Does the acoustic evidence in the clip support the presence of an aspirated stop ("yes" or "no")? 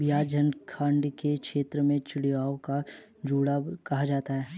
yes